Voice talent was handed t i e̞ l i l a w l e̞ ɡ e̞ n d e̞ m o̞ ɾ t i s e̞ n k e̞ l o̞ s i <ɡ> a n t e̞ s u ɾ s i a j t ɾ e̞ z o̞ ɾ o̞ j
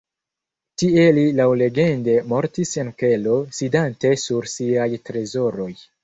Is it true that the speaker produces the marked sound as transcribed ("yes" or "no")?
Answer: no